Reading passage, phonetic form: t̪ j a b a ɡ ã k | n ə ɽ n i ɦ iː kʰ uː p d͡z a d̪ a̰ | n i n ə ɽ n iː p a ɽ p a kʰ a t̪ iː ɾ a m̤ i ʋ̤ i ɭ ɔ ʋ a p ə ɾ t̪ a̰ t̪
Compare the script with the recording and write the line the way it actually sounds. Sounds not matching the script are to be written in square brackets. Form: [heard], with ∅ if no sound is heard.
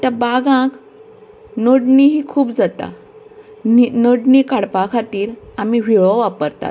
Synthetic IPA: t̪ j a b a ɡ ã k | n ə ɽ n i ɦ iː kʰ uː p d͡z a [t̪] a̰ | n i n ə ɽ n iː [k] a ɽ p a kʰ a t̪ iː ɾ a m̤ i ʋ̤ i ɭ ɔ ʋ a p ə ɾ t̪ a̰ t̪